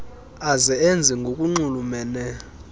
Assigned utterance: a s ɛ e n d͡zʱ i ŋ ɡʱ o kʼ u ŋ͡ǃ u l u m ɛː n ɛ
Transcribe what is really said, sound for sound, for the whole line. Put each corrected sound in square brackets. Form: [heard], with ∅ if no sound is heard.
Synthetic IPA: a [z] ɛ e n d͡zʱ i ŋ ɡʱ o kʼ u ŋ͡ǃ u l u m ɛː n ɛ

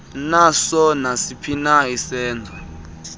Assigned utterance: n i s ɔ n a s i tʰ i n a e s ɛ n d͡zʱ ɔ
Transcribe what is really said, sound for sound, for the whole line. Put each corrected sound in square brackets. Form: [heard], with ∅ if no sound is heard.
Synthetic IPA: n [a] s ɔ n a s i [pʰ] i n a [i] s [ɛː] n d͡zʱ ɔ

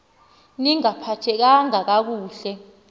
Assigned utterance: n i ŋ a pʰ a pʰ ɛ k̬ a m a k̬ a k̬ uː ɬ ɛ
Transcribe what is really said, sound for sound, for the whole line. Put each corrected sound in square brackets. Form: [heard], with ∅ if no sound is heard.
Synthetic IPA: n i ŋ a pʰ a [tʰ] ɛ k̬ a [ŋ] a k̬ a k̬ uː ɬ ɛ

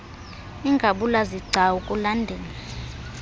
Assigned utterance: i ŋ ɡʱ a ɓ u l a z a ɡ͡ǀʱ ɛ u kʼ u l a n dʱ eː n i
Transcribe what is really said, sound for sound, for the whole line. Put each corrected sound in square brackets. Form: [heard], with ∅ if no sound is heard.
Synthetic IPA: i ŋ ɡʱ a ɓ u l a z [i] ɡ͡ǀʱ [a] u kʼ u l a n dʱ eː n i

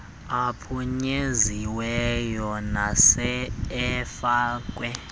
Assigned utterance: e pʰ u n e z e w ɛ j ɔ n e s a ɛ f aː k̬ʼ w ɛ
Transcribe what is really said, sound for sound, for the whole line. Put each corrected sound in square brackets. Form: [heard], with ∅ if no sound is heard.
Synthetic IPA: [a] pʰ u [ɲ] e z [i] w ɛ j ɔ n [a] s [ɛ] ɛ f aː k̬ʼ w ɛ

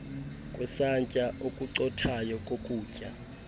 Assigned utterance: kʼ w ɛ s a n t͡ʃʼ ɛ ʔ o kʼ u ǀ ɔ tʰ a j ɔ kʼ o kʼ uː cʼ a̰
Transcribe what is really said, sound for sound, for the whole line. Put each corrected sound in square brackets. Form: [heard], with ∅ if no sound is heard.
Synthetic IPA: kʼ w ɛ s a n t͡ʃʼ [a] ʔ o kʼ u ǀ ɔ tʰ a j ɔ kʼ o kʼ uː cʼ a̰

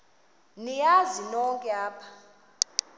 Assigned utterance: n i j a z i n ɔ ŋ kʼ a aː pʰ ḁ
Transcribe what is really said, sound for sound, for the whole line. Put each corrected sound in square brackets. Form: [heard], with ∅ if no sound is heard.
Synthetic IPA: n i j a z i n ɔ ŋ kʼ [ɛ] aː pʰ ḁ

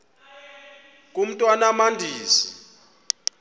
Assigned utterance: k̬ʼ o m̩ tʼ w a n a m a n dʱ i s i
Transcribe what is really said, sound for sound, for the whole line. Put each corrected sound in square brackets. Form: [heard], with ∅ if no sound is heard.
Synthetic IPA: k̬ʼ [u] m̩ tʼ w a n a m a n dʱ [iː] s i

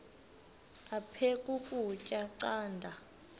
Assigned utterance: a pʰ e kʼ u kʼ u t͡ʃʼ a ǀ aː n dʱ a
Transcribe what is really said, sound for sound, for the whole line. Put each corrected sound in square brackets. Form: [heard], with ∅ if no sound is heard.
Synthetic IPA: a pʰ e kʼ u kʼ u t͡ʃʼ a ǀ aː n dʱ a

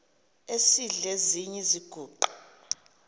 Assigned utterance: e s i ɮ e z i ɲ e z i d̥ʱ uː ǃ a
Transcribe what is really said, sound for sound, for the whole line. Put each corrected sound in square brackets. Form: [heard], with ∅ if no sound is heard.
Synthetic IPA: e s i ɮ e z i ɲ [ɛ] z i [ɡ̥ʱ] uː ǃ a

